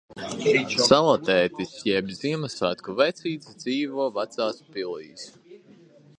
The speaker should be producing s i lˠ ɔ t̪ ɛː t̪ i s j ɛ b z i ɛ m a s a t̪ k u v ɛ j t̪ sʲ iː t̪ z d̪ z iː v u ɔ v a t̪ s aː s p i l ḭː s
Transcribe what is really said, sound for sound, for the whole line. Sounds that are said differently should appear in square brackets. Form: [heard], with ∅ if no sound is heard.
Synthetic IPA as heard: s [a] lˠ ɔ t̪ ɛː t̪ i s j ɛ b z i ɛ m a s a t̪ k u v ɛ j t̪ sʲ iː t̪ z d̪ z iː v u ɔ v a t̪ s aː s p i l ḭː s